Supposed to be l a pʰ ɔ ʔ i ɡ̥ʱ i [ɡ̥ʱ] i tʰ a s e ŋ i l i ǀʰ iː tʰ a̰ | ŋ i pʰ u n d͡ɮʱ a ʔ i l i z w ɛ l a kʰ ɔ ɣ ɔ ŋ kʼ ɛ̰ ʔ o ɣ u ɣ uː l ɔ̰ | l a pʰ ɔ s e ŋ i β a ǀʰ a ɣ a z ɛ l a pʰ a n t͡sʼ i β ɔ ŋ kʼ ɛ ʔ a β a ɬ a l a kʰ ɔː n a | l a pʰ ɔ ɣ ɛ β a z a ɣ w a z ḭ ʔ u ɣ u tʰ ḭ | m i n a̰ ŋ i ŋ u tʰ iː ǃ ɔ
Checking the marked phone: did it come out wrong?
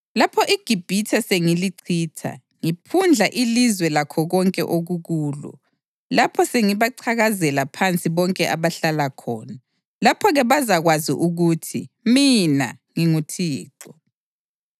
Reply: yes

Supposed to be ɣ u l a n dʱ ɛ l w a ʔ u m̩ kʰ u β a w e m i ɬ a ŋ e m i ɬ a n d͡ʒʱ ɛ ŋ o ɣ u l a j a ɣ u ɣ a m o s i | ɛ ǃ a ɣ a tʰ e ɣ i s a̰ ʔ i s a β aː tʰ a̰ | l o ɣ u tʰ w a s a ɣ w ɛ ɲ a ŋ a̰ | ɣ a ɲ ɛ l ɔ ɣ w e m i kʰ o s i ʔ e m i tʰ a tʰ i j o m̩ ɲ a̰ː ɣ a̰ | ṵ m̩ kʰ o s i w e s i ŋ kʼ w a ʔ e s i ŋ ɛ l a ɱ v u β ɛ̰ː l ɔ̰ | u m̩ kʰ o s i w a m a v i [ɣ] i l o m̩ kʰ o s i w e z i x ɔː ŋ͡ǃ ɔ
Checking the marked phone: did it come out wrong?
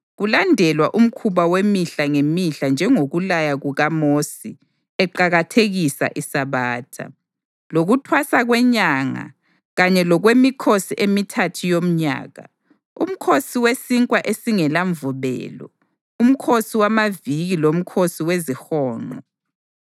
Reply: no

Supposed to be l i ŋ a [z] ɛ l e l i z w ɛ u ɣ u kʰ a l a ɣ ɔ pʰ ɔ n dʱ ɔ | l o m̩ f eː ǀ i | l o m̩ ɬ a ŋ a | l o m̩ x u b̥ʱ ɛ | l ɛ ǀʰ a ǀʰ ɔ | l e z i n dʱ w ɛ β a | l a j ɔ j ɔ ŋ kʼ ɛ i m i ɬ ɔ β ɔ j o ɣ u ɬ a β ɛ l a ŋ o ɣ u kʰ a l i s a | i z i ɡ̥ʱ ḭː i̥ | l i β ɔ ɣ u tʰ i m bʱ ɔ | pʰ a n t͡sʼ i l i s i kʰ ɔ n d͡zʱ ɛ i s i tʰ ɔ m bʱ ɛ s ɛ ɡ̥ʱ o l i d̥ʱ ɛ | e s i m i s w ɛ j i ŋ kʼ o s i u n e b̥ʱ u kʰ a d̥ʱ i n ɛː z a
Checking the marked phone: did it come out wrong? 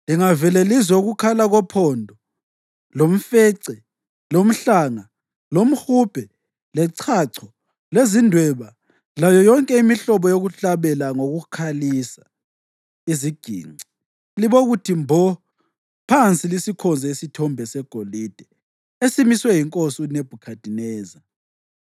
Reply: yes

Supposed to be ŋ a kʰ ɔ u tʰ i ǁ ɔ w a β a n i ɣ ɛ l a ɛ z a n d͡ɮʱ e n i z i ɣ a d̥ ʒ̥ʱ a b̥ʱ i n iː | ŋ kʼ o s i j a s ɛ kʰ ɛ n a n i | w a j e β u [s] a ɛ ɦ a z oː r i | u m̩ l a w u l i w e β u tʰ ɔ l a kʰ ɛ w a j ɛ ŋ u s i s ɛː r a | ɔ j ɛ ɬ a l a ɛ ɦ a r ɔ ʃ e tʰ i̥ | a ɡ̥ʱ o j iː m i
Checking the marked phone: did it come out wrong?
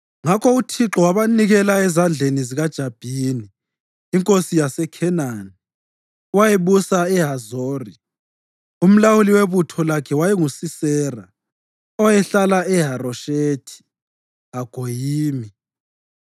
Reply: no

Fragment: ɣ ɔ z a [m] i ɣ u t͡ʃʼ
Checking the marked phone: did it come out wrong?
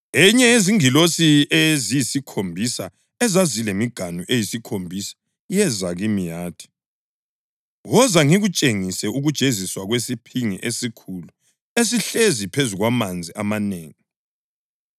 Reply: yes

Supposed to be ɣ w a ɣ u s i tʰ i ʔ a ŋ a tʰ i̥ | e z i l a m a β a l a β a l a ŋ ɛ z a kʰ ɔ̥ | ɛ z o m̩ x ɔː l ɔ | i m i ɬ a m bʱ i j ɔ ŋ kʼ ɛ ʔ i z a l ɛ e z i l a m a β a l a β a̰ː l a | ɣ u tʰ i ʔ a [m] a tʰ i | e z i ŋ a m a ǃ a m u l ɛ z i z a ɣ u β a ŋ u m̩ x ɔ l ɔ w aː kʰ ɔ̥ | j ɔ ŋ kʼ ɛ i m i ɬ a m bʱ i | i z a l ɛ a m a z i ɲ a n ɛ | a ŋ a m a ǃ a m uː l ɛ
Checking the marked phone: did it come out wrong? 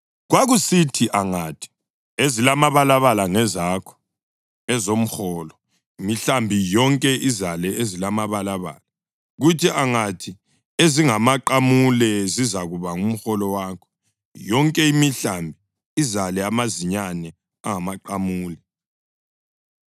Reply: yes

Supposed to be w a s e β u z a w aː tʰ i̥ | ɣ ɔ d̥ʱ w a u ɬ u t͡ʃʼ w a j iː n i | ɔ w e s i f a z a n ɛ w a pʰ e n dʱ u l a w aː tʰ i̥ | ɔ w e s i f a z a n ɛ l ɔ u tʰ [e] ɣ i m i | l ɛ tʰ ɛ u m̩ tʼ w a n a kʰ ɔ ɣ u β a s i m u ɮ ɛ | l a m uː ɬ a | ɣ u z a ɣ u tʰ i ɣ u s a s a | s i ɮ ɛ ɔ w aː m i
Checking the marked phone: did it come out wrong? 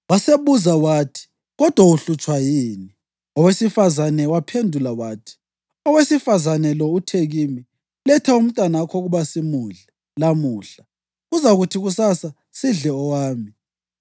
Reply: no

